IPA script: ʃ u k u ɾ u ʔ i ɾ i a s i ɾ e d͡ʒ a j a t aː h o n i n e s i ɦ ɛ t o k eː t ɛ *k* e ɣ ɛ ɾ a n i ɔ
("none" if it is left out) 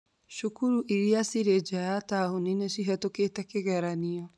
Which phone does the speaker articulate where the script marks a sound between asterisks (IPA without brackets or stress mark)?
k